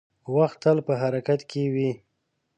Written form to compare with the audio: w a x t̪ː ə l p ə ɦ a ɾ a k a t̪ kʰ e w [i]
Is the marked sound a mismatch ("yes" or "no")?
no